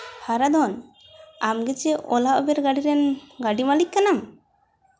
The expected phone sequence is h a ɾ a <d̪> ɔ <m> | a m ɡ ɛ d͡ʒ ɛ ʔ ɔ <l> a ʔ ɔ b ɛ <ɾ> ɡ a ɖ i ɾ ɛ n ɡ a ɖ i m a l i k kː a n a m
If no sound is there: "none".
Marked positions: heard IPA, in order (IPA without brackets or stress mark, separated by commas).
d̪, n, l, ɾ